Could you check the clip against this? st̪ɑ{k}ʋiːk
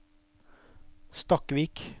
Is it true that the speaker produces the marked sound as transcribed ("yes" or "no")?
yes